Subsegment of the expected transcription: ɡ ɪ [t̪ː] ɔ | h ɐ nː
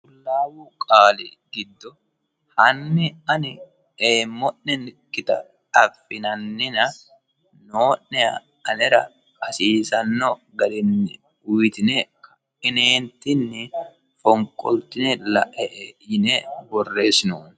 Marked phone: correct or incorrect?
incorrect